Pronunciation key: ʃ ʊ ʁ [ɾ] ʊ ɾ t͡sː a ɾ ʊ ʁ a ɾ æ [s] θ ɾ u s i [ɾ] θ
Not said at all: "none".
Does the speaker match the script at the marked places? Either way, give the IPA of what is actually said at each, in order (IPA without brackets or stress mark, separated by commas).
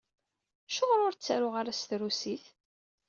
ɾ, s, none